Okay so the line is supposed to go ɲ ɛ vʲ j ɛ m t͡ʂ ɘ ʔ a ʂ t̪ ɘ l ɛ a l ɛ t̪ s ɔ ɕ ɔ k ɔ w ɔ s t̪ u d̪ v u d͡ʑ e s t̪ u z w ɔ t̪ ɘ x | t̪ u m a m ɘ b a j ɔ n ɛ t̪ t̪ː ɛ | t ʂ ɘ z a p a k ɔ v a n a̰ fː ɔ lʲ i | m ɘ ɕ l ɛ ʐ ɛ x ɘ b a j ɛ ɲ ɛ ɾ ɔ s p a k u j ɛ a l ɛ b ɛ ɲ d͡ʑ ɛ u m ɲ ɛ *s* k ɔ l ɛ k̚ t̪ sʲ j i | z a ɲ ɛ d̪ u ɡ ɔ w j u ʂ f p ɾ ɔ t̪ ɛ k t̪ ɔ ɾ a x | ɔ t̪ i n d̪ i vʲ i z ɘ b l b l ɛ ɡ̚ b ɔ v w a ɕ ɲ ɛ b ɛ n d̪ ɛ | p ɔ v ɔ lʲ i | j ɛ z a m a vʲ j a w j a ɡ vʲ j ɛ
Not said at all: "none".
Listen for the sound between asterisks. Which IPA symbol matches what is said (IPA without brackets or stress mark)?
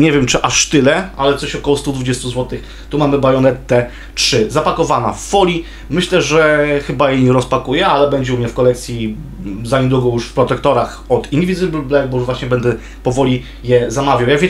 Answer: f